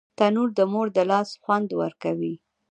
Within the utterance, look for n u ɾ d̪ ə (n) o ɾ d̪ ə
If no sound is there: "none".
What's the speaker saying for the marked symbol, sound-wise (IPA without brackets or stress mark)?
m